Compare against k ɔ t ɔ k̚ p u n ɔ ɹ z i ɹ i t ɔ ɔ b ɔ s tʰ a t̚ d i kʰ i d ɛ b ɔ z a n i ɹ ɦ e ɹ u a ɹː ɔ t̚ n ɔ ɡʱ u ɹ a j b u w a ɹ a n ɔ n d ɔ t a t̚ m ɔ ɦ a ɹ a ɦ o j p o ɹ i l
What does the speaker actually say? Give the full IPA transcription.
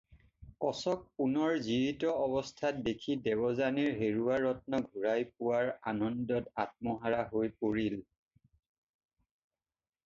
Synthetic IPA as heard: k ɔ s ɔ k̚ p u n ɔ ɹ z i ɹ i t ɔ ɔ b ɔ s tʰ a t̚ d e kʰ i d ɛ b ɔ z a n i ɹ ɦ e ɹ u a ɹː ɔ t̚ n ɔ ɡʱ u ɹ a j p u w a ɹ a n ɔ n d ɔ t a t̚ m ɔ ɦ a ɹ a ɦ o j p o ɹ i l